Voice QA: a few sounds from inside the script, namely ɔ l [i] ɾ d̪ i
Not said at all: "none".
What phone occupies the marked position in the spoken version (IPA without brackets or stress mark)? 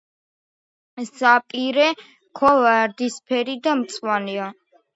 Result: a